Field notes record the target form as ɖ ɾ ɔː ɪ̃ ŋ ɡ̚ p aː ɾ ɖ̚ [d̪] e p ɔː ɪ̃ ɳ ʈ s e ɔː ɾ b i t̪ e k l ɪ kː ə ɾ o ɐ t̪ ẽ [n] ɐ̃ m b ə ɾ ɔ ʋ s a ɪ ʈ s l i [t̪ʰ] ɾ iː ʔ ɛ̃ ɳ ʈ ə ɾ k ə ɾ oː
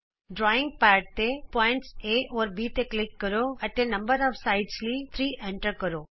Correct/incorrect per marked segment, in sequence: incorrect: t̪, correct, correct

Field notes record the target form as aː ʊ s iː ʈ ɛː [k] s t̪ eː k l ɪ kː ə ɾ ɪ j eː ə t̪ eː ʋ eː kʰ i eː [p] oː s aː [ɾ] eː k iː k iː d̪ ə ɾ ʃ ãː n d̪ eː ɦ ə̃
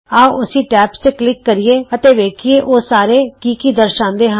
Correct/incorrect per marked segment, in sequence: incorrect: p, incorrect: ʔ, correct

